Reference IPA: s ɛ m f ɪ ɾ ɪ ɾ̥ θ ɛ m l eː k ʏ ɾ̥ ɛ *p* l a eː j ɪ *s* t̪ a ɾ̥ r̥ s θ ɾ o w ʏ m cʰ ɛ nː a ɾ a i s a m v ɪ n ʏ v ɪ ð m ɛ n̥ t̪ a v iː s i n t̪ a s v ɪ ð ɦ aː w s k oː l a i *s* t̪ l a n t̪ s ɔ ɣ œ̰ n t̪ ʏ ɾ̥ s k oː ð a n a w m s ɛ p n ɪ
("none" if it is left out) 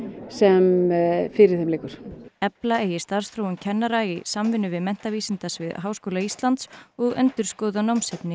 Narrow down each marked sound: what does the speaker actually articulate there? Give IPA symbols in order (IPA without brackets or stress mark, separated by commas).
p, s, s